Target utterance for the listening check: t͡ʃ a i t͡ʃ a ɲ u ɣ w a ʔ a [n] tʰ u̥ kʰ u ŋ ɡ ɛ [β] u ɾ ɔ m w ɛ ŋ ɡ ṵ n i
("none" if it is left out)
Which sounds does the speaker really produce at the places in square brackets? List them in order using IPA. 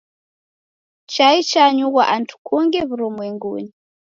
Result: n, β

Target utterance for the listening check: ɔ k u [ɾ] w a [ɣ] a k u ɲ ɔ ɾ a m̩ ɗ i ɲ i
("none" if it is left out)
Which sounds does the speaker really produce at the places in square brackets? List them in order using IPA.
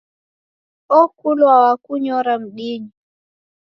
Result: l, w

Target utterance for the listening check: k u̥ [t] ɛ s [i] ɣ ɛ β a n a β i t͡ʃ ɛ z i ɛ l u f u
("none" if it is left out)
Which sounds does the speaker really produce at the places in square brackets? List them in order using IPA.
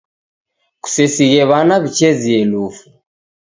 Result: s, i

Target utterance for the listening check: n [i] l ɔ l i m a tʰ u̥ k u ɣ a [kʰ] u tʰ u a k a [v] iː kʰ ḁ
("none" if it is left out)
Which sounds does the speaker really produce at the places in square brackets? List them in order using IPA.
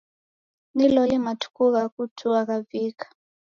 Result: i, k, v

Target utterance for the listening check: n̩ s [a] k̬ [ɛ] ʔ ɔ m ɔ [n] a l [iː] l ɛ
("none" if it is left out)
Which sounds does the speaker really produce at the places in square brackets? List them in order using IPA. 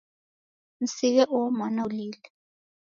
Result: i, ɛ, n, iː

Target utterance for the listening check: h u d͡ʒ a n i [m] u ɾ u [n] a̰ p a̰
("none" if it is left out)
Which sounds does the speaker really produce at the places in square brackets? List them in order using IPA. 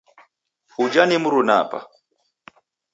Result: m, n

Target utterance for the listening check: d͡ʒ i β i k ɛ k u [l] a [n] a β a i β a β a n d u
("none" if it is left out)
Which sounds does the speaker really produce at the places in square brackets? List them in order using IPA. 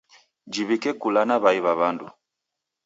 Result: l, n

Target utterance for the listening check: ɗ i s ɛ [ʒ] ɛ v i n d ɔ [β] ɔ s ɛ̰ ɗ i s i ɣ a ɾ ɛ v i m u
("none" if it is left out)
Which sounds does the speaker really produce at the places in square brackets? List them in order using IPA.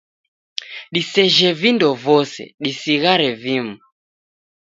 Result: ʒ, v

